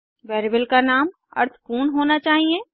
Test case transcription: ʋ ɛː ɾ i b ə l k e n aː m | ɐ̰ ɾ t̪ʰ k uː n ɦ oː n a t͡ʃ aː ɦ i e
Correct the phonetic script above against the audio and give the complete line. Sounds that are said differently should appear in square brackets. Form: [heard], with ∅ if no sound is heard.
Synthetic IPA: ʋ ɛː ɾ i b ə l k [a] n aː m | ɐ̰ ɾ t̪ʰ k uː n ɦ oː n a t͡ʃ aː ɦ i e